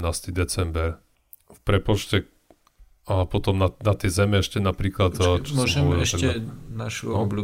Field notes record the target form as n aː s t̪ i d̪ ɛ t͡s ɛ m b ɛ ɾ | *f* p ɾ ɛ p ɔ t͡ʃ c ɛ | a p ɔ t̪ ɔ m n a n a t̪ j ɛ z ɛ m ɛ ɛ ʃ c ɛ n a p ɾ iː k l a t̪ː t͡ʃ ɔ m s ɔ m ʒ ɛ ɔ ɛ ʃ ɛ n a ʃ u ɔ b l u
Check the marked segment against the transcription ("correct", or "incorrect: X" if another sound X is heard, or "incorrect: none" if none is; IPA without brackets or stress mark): correct